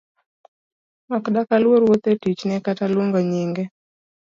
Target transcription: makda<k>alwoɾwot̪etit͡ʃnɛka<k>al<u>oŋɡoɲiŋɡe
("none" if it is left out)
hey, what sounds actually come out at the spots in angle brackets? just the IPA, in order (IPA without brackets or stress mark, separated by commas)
k, t, w